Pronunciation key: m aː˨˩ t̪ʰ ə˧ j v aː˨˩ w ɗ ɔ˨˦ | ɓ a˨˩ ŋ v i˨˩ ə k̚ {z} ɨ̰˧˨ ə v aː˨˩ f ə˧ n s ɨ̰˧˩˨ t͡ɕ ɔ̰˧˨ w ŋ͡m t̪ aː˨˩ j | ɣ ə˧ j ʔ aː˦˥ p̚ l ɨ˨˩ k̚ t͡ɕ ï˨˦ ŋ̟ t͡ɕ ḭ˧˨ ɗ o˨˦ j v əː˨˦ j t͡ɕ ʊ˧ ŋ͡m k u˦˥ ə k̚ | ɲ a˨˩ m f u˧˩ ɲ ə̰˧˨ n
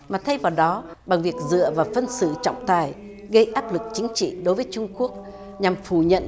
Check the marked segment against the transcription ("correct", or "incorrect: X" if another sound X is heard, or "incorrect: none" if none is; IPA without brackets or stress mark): correct